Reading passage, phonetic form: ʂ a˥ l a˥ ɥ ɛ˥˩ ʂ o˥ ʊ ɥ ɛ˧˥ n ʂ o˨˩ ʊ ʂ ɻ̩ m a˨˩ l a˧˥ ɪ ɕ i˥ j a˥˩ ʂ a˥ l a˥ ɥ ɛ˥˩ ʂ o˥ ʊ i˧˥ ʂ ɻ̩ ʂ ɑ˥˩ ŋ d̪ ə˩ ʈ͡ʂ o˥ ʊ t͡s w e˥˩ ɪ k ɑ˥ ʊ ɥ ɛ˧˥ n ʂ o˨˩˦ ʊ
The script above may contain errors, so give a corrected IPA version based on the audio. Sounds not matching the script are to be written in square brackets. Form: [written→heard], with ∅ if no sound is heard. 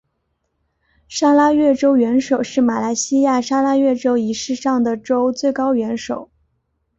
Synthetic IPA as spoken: ʂ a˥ l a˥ ɥ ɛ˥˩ [ʂ→ʈ͡ʂ] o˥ ʊ ɥ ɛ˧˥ n ʂ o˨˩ ʊ ʂ ɻ̩ m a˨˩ l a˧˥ ɪ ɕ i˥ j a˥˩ ʂ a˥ l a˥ ɥ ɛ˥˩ [ʂ→ʈ͡ʂ] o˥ ʊ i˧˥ ʂ ɻ̩ ʂ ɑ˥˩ ŋ d̪ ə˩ ʈ͡ʂ o˥ ʊ t͡s w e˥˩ ɪ k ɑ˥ ʊ ɥ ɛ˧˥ n ʂ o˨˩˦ ʊ